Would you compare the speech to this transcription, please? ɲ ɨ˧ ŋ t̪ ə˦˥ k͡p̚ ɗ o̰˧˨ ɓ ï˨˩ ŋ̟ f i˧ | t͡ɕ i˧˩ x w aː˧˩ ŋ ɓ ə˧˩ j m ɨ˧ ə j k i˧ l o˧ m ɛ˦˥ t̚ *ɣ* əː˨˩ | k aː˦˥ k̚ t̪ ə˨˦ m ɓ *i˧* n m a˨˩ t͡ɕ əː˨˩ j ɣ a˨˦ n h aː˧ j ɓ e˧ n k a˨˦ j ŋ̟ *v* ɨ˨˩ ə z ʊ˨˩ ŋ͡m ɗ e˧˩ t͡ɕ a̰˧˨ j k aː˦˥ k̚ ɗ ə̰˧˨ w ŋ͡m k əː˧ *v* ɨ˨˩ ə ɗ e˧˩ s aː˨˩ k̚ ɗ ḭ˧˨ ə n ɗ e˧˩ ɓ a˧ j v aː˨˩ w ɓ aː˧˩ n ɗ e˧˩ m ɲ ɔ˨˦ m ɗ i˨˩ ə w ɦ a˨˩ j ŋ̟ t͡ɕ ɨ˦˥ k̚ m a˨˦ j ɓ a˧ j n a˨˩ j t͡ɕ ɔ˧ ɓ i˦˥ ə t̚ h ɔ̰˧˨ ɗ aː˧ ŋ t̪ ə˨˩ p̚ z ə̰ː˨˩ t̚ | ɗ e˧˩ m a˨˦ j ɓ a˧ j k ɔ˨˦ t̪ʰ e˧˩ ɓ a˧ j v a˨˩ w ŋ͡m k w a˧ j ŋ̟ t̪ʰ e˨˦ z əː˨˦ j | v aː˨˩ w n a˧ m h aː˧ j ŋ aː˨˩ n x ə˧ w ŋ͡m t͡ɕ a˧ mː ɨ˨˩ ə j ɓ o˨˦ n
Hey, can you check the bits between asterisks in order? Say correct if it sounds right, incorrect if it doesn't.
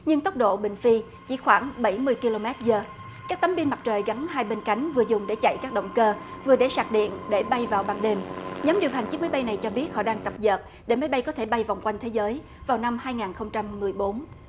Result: incorrect: z, correct, correct, correct

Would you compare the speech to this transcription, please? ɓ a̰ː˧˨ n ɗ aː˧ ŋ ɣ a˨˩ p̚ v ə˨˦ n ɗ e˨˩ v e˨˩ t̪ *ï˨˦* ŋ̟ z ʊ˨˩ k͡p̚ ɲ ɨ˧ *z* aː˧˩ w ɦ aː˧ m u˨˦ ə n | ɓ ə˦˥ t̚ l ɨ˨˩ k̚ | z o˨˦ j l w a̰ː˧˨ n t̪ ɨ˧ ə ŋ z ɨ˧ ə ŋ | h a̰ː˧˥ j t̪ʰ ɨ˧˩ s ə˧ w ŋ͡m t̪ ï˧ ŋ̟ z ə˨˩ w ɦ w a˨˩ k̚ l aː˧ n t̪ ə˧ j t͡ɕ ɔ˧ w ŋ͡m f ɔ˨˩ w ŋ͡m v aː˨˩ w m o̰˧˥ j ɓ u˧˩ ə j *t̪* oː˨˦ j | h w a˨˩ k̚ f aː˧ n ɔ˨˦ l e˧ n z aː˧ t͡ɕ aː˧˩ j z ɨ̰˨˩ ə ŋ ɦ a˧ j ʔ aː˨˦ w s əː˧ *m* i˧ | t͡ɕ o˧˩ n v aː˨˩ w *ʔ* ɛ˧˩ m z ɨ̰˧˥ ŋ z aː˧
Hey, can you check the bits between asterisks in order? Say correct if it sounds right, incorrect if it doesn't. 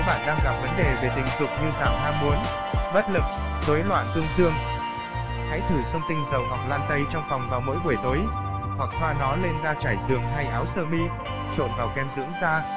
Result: incorrect: ï˨˩, correct, correct, correct, incorrect: k

